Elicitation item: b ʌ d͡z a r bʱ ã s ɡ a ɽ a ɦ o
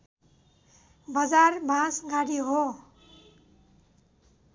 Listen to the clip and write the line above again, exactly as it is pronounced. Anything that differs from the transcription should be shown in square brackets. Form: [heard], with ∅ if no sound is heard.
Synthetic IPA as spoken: b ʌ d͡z a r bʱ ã s ɡ a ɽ [i] ɦ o